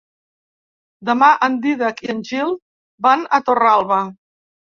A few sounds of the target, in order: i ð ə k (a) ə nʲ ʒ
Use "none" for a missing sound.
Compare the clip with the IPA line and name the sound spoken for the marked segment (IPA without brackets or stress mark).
i